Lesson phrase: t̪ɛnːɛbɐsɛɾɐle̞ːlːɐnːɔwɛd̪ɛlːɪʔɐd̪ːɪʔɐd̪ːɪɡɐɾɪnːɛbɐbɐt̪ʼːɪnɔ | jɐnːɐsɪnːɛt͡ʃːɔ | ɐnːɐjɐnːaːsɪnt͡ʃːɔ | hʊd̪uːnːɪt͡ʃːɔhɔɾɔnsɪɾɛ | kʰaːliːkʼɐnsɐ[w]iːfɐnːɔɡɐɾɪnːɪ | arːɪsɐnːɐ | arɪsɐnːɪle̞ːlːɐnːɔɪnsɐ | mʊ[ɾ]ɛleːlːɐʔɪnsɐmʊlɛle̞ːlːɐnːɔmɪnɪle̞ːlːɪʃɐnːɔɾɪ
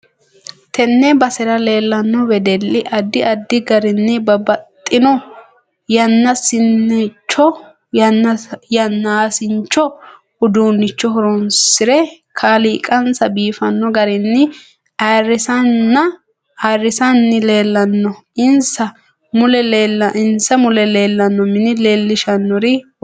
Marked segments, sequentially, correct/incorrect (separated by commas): incorrect, incorrect